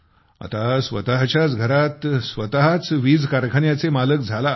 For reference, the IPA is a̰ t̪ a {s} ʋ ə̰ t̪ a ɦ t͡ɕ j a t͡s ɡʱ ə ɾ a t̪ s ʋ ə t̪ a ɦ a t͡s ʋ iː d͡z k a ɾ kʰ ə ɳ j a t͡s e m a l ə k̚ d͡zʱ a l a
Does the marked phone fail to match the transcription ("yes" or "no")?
no